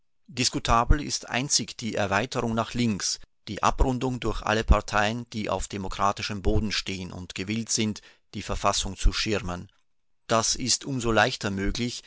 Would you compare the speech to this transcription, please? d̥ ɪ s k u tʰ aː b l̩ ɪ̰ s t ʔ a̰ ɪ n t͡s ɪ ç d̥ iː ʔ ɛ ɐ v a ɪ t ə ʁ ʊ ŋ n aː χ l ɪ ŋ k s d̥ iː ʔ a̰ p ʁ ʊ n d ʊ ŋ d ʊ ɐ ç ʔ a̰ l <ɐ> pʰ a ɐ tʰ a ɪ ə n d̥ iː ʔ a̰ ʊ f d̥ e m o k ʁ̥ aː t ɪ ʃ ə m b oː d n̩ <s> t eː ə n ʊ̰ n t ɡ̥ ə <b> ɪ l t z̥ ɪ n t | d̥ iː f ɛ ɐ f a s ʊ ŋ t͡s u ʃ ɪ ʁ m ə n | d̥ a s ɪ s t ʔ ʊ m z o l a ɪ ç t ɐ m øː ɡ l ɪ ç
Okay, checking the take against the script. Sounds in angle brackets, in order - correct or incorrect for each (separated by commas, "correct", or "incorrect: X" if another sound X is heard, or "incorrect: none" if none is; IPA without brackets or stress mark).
incorrect: ə, incorrect: ʃ, incorrect: v